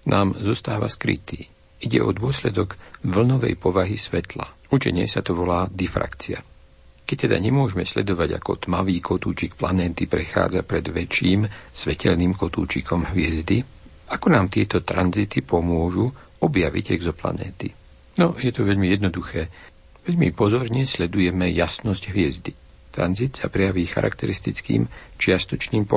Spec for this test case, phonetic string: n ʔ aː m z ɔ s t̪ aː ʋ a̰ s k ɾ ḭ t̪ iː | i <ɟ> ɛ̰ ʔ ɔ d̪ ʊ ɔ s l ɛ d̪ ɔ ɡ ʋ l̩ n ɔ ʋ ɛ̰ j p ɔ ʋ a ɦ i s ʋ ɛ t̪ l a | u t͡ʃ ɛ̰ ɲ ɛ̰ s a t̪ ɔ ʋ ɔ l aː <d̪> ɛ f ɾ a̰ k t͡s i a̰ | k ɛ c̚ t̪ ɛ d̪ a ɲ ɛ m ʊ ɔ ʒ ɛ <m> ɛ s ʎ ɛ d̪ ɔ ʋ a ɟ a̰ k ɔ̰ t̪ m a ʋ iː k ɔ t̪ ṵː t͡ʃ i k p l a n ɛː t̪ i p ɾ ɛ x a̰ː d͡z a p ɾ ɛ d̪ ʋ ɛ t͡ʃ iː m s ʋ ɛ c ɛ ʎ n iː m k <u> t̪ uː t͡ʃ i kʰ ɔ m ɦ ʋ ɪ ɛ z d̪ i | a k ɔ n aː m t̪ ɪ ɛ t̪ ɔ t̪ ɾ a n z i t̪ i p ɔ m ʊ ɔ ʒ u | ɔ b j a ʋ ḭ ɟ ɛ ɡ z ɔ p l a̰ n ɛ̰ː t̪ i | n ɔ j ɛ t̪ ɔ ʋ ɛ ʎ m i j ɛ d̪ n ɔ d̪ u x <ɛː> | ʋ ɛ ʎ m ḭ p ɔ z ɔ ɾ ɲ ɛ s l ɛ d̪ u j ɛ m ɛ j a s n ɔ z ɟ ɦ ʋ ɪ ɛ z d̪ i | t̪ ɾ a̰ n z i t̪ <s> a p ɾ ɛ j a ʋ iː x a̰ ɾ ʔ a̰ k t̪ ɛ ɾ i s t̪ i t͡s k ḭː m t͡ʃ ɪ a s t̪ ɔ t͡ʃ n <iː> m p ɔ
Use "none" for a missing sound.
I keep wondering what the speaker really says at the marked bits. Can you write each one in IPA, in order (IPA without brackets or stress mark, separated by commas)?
ɟ, d̪, m, ɔ, ɛː, s, iː